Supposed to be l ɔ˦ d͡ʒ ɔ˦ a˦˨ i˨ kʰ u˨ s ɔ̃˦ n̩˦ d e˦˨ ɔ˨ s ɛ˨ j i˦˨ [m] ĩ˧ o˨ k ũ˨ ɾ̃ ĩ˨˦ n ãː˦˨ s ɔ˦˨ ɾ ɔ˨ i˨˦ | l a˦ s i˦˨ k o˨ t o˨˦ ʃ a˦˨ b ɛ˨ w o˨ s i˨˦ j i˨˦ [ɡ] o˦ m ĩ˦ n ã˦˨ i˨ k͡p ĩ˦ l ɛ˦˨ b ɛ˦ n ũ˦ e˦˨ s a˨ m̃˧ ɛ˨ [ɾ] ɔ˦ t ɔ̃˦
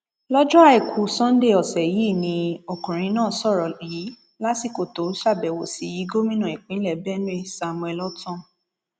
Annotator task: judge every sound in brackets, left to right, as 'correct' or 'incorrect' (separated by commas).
incorrect, correct, incorrect